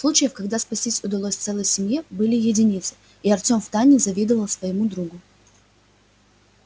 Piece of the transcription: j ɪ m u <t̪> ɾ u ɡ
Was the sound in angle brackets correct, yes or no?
no